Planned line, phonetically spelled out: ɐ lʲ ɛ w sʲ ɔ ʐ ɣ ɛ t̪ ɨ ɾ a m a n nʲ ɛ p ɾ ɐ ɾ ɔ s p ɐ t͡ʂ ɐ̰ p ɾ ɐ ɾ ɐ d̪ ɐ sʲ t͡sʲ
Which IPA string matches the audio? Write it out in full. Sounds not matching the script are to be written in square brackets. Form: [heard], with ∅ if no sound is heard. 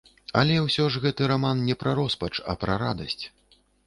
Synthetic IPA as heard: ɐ lʲ ɛ w sʲ ɔ ʐ ɣ ɛ t̪ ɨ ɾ a m a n nʲ ɛ p ɾ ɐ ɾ ɔ s p ɐ t͡ʂ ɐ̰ p ɾ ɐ ɾ [a] d̪ ɐ sʲ t͡sʲ